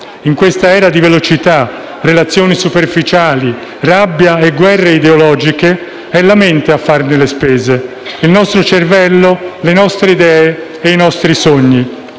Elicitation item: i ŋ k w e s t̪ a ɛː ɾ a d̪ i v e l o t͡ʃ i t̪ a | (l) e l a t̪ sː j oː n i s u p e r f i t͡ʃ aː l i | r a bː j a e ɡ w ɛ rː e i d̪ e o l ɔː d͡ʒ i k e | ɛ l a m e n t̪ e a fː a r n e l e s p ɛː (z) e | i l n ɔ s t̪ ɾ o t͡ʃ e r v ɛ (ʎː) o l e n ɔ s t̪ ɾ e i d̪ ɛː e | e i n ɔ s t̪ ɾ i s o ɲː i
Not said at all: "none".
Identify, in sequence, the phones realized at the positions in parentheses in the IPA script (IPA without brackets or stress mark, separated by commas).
r, z, lː